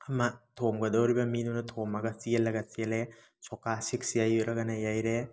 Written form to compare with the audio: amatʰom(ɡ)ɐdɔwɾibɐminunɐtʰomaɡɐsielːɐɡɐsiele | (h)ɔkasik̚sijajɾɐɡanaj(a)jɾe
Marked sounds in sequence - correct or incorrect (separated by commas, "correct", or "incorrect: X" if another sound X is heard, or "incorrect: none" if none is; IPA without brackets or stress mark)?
correct, incorrect: s, correct